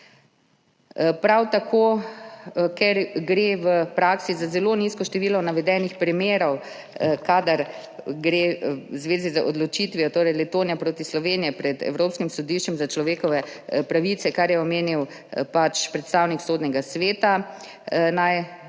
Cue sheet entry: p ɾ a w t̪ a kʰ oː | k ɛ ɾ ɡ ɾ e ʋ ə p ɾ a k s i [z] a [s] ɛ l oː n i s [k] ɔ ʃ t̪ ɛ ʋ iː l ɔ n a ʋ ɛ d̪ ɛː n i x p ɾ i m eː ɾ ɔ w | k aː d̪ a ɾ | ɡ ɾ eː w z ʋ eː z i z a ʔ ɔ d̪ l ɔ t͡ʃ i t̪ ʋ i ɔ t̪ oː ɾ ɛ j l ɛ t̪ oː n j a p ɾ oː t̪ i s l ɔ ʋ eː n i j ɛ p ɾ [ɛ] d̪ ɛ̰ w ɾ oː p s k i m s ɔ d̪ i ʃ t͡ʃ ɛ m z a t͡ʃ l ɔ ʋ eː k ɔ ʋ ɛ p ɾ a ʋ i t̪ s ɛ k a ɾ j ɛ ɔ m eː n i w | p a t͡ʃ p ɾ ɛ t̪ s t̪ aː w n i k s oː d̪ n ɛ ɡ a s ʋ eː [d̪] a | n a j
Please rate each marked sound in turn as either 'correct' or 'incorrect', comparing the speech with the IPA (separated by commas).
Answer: correct, incorrect, correct, correct, incorrect